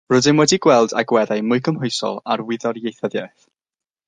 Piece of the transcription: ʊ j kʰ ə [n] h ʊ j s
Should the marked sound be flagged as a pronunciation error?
yes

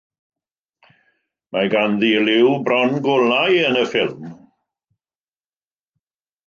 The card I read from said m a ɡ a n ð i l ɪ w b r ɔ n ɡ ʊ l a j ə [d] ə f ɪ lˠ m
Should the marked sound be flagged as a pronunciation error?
yes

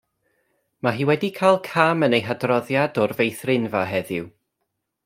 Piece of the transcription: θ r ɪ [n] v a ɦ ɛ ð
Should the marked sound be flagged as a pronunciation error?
no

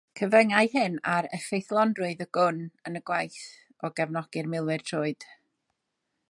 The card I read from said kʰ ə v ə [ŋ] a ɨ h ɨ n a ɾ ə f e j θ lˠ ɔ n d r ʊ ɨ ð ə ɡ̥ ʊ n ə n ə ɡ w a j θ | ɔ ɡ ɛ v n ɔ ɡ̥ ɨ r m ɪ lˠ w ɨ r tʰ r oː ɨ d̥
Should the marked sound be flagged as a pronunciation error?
no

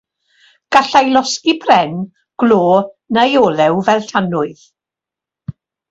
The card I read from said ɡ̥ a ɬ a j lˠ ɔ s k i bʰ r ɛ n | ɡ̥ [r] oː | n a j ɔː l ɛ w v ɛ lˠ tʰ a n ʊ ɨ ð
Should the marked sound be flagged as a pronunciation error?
yes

